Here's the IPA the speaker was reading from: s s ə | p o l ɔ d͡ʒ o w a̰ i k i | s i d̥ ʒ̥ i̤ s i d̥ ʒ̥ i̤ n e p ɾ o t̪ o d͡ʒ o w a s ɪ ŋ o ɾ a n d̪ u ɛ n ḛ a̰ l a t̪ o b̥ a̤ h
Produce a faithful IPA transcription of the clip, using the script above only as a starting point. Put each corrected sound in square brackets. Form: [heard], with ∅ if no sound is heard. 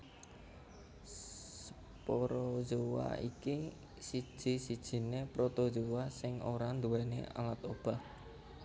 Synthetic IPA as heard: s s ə | p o [ɾ] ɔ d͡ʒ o w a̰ i k i | s i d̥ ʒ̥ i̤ s i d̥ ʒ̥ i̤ n e p ɾ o t̪ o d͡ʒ o w a s ɪ ŋ o ɾ a n d̪ u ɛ n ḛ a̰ l a t̪ o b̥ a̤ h